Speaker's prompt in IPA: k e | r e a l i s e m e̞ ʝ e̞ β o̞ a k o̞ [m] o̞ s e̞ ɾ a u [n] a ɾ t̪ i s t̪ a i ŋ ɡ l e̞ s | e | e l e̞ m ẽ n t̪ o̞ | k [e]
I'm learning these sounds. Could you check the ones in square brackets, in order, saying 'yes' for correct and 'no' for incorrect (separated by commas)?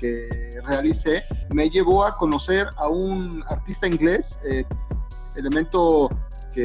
no, yes, yes